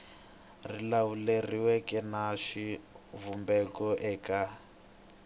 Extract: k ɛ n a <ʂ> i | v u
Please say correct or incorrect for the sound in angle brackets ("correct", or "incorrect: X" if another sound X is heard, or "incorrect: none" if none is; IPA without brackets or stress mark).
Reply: correct